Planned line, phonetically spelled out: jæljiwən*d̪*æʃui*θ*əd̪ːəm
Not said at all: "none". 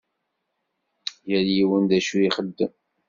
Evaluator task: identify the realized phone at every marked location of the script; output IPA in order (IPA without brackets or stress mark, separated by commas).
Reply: d̪, χ